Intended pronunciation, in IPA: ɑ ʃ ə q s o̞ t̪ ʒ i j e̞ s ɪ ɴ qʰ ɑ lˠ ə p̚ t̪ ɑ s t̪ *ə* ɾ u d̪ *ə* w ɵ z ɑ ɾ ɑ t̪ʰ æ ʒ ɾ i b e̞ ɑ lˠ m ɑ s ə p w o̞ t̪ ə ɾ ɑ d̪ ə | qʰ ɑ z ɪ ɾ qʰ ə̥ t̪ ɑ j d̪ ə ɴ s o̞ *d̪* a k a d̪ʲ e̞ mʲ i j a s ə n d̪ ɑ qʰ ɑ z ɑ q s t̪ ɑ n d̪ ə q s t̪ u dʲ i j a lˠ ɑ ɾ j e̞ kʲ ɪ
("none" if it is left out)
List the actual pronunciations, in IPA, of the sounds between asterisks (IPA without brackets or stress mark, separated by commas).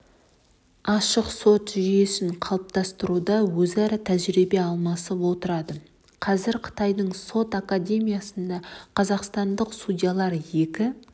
ə, ɑ, t̪